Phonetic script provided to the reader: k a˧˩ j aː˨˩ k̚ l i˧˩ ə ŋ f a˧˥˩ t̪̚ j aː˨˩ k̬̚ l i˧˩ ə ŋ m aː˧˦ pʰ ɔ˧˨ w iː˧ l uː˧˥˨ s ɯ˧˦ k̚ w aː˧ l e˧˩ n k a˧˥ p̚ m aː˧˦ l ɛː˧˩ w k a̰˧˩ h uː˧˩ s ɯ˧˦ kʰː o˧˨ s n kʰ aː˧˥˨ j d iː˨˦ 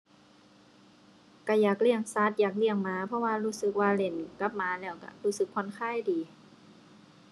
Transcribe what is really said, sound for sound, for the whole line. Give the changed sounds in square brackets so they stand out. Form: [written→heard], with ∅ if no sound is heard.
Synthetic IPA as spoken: k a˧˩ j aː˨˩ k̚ l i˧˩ ə ŋ [f→s] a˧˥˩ t̪̚ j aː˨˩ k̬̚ l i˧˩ ə ŋ m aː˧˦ pʰ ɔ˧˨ w [iː˧→aː˧] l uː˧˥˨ s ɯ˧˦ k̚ w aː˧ l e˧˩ n k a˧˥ p̚ m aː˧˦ l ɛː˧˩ w k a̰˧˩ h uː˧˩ s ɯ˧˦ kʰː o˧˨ [s→∅] n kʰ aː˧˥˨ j d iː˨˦